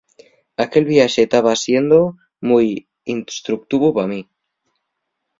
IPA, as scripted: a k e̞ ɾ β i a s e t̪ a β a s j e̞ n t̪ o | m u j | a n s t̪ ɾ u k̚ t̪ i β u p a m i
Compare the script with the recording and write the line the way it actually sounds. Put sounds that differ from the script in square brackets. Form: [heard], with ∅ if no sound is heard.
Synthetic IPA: a k e̞ [l] β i a [ʃ] e t̪ a β a s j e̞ n [d̪] o | m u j | [i] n s t̪ ɾ u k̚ t̪ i β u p a m i

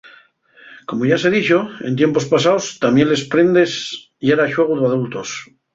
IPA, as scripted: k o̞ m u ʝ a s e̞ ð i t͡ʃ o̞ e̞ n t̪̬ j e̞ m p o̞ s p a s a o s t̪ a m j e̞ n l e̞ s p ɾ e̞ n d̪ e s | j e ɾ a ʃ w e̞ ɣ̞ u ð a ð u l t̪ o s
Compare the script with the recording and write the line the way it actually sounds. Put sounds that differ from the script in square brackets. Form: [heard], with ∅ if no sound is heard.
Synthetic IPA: k o̞ m [o] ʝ a s e̞ ð i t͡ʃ o̞ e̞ n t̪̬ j e̞ m p o̞ s p a s a o s t̪ a m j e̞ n l e̞ s p ɾ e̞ n d̪ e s | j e ɾ a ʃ w e̞ ɣ̞ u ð a ð u l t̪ o s

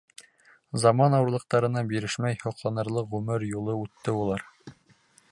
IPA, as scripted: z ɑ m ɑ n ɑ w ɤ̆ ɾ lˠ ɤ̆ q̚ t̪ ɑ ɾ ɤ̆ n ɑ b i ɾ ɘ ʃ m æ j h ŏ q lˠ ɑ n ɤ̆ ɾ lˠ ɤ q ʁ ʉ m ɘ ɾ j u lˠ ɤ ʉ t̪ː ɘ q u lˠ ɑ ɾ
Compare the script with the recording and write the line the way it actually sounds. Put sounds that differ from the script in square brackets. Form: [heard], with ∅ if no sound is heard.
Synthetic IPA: z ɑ m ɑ n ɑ w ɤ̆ ɾ lˠ ɤ̆ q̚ t̪ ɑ ɾ ɤ̆ n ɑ b i ɾ ɘ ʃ m æ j h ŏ q lˠ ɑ n ɤ̆ ɾ lˠ ɤ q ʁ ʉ m ɘ ɾ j u lˠ ɤ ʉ t̪ː ɘ [∅] u lˠ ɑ ɾ

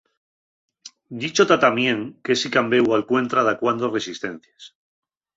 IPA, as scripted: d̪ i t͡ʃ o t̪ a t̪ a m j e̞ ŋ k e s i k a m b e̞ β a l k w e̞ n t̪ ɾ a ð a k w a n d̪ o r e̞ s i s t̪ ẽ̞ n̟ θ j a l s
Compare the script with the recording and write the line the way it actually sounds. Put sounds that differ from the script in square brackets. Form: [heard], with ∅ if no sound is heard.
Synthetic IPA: d̪ i t͡ʃ o t̪ a t̪ a m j e̞ ŋ k e s i k a m b e̞ [w] a l k w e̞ n t̪ ɾ a ð a k w a n d̪ o r e̞ s i s t̪ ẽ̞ n̟ θ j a [∅] s

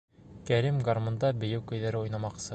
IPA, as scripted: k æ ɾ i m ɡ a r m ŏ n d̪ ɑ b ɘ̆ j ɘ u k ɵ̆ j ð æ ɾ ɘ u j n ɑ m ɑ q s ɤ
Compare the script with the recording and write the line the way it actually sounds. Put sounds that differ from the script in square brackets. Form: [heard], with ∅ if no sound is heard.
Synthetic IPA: k æ ɾ i m ɡ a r m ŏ n d̪ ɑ b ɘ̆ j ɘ [w] k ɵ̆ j ð æ ɾ ɘ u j n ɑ m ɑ q s ɤ

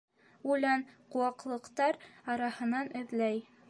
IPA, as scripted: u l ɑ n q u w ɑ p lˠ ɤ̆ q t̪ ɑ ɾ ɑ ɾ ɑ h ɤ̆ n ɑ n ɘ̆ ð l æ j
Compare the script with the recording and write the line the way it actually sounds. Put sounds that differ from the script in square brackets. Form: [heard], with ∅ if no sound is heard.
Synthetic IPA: u l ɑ n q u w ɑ [q] lˠ ɤ̆ q t̪ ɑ ɾ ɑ ɾ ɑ h ɤ̆ n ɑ n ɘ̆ ð l æ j

